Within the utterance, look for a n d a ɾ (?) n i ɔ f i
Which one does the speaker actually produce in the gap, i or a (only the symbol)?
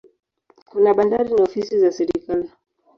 i